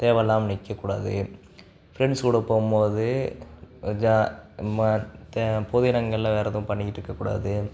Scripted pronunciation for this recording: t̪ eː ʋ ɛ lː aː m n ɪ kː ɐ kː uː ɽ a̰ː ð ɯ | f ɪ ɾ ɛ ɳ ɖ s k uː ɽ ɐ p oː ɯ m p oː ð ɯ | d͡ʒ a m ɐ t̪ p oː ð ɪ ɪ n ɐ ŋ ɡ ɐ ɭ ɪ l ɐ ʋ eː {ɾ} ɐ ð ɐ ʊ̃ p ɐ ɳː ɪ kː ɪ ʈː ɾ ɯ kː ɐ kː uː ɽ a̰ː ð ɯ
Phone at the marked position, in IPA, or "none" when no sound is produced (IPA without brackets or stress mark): ɾ